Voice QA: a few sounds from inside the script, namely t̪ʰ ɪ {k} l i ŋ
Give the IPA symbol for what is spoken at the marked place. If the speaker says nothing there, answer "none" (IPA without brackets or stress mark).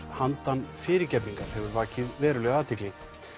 k